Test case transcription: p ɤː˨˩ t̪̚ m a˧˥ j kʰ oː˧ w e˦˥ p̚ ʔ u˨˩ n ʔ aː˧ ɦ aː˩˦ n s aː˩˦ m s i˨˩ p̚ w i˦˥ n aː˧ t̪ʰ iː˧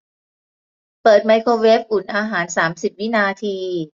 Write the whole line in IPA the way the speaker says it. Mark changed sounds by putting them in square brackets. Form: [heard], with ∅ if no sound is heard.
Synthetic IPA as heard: p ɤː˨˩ t̪̚ m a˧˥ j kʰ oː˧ w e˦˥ p̚ ʔ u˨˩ n ʔ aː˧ ɦ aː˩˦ n s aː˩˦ m s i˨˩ p̚ w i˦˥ n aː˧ t̪ʰ iː˧